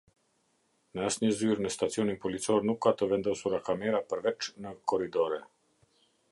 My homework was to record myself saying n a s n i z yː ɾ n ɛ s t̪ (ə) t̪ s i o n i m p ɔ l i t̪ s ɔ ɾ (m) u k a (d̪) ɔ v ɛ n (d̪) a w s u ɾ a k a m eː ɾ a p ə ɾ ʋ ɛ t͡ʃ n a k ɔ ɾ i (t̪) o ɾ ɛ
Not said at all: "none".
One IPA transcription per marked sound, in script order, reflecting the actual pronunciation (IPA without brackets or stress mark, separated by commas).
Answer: a, n, t̪, d̪, d̪